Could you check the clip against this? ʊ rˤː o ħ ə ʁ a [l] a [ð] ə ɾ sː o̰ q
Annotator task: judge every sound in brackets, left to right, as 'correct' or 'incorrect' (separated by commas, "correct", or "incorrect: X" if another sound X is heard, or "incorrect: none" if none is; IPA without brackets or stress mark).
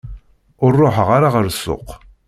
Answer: incorrect: ɾ, incorrect: ʁ